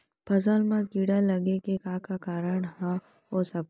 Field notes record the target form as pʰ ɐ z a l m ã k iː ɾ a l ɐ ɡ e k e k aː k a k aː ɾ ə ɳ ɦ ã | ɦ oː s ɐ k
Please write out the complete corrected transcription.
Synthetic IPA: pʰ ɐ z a l m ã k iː ɽ a l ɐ ɡ e k e k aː k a k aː ɾ ə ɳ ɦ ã | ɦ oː s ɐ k